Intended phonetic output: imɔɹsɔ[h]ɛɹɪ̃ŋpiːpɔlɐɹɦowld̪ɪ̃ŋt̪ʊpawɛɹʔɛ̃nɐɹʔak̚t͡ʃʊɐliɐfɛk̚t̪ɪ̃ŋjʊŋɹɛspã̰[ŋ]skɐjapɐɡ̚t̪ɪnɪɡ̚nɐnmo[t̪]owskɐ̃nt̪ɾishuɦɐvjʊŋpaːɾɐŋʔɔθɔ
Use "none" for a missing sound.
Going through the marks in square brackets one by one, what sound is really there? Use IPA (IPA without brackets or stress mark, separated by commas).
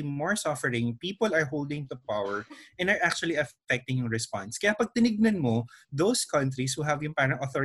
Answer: f, n, d̪